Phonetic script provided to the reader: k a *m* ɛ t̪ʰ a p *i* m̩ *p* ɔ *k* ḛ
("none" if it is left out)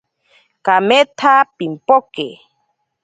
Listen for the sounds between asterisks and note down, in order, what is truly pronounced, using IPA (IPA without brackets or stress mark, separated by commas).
m, i, p, k